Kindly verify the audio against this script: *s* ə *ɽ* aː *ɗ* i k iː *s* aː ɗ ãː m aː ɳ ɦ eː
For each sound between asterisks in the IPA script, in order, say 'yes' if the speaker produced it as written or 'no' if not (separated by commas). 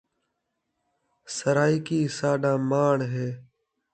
yes, no, no, yes